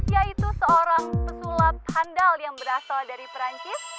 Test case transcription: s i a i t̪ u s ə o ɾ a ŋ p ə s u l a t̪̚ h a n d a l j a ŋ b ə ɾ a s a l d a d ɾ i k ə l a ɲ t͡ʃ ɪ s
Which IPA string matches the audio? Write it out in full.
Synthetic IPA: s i a i t̪ u s ə o ɾ a ŋ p ə s u l a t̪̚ h a n d a l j a ŋ b ə ɾ a s a l d a ɾ i p ə ɾ a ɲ t͡ʃ ɪ s